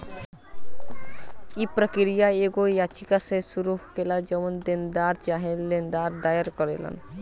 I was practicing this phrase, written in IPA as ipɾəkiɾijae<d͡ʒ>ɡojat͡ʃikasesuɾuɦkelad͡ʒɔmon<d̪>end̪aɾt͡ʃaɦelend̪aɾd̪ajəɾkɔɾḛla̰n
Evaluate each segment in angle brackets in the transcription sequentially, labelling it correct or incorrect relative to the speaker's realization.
incorrect, correct

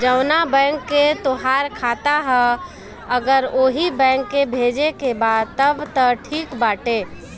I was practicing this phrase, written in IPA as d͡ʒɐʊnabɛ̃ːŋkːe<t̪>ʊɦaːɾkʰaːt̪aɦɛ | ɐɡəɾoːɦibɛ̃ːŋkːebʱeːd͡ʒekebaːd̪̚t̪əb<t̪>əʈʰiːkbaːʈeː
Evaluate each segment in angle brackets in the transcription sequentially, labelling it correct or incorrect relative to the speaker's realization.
correct, correct

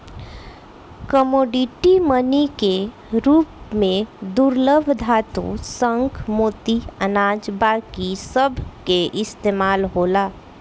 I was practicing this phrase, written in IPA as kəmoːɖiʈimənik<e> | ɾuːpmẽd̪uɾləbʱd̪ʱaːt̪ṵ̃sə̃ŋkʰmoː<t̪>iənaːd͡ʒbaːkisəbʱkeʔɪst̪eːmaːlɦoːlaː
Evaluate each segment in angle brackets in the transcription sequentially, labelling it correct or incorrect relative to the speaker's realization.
correct, correct

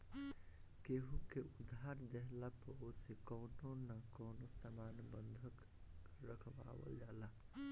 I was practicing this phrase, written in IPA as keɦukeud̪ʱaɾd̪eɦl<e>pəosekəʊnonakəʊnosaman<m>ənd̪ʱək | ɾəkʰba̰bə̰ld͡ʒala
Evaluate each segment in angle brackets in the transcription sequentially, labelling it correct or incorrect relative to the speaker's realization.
incorrect, incorrect

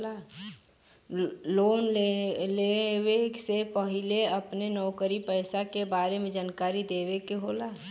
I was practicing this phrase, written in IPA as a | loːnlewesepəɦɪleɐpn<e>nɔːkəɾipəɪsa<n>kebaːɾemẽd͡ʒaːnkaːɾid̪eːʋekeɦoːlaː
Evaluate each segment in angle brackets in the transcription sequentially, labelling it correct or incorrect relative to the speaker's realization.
correct, incorrect

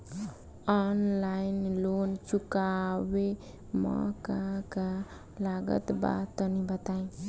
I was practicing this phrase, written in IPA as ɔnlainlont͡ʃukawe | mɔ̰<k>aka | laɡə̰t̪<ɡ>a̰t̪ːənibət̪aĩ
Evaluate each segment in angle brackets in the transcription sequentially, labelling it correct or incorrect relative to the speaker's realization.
correct, incorrect

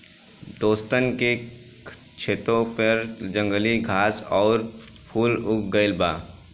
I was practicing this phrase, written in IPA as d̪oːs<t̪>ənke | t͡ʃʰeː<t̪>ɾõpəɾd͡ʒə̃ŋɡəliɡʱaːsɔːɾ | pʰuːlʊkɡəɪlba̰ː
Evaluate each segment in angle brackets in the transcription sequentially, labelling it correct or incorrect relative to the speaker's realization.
correct, correct

